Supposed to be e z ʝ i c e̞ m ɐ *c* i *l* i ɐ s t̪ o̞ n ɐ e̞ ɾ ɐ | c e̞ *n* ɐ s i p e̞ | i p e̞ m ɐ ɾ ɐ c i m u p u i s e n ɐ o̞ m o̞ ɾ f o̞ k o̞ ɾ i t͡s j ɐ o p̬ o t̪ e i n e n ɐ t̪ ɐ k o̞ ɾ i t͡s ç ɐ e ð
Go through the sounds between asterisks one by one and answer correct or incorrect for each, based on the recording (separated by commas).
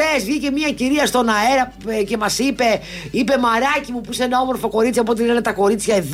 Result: correct, incorrect, incorrect